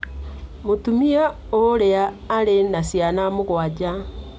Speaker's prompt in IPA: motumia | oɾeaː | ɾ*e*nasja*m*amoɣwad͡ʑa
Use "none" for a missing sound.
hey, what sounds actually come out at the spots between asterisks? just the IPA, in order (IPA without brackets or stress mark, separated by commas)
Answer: e, n